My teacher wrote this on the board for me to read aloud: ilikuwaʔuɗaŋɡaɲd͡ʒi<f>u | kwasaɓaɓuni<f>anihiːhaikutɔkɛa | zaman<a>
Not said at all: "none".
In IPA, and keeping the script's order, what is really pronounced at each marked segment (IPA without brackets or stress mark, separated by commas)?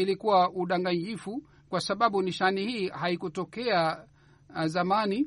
f, ʃ, i